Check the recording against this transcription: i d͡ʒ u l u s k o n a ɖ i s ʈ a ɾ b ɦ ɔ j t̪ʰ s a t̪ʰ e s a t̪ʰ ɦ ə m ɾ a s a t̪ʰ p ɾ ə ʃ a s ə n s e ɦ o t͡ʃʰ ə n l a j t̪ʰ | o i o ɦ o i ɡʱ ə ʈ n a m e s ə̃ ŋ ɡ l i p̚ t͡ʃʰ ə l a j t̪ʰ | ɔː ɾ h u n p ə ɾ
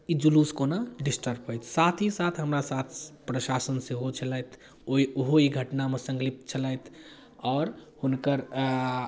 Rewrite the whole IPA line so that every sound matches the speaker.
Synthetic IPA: i d͡ʒ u l u s k o n a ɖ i s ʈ ə ɾ b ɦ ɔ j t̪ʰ s a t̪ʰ i s a t̪ʰ ɦ ə m ɾ a s a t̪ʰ p ɾ ə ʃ a s ə n s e ɦ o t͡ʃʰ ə l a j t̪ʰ | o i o ɦ o i ɡʱ ə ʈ n a m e s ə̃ ŋ ɡ l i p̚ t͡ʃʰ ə l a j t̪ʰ | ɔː ɾ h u n k ə ɾ